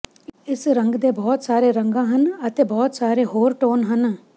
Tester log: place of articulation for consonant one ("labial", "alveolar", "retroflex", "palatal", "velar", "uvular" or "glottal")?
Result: alveolar